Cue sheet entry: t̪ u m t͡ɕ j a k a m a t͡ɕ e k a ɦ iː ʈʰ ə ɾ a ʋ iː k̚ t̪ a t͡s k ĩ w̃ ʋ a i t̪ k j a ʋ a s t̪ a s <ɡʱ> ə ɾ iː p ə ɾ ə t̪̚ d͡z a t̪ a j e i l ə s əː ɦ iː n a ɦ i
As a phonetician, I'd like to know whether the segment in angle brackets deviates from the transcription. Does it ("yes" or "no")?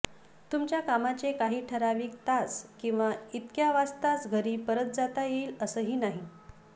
no